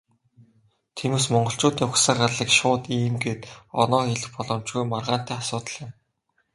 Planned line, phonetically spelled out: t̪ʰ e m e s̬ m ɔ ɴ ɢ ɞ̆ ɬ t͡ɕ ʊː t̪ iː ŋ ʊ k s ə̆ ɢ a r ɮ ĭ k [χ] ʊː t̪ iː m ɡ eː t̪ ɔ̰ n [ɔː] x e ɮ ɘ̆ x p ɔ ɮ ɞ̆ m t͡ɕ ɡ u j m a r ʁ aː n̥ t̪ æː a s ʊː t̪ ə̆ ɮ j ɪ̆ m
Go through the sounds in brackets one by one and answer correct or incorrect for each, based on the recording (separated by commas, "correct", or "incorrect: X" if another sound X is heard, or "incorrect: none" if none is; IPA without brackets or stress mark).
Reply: incorrect: ʃ, correct